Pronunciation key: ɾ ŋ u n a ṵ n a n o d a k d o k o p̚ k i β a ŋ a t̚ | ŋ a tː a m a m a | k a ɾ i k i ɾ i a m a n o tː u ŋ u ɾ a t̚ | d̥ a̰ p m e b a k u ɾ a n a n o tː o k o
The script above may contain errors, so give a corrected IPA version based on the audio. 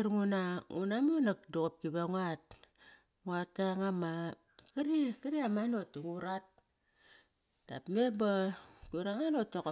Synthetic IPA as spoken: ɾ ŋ u n a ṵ n a m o n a k d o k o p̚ k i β a ŋ a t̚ | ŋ a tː a ŋ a m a | k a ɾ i k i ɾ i a m a n o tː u ŋ u ɾ a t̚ | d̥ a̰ p m e b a k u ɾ a ŋ a n o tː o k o